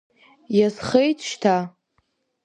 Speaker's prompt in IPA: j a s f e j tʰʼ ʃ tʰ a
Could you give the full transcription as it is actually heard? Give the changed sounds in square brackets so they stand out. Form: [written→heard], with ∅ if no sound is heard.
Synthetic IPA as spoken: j a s [f→χ] e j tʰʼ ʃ tʰ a